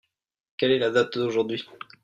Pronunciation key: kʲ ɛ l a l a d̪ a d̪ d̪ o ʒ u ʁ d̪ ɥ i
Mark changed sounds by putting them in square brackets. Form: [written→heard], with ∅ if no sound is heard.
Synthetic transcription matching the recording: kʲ ɛ l [a→ɛ] l a d̪ a [d̪→t̪] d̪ o ʒ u ʁ d̪ ɥ i